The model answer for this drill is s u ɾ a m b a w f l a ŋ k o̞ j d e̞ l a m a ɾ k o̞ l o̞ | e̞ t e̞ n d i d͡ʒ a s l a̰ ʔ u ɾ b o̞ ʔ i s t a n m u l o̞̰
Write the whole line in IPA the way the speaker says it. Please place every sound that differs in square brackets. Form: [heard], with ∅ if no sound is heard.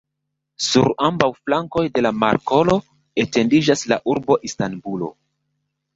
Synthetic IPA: s u ɾ a m b a w f l a ŋ k o̞ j d e̞ l a m a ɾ k o̞ l o̞ | e̞ t e̞ n d i d͡ʒ a s l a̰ ʔ u ɾ b o̞ ʔ i s t a n [b] u l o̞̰